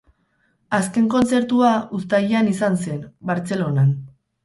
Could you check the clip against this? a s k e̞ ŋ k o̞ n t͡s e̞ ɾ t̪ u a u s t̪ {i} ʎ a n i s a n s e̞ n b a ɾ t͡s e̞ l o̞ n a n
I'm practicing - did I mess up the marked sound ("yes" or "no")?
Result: yes